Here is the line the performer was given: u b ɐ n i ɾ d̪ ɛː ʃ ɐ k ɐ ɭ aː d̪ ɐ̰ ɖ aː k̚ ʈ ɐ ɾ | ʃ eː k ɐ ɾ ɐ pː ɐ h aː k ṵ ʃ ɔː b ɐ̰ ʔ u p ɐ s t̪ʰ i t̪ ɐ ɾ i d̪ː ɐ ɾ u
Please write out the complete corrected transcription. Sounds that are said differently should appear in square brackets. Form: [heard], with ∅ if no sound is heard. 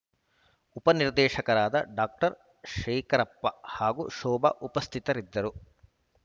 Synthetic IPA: u [p] ɐ n i ɾ d̪ ɛː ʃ ɐ k ɐ [ɾ] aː d̪ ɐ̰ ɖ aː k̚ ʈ ɐ ɾ | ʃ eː k ɐ ɾ ɐ pː ɐ h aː [ɡ] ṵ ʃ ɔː b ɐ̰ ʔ u p ɐ s t̪ʰ i t̪ ɐ ɾ i d̪ː ɐ ɾ u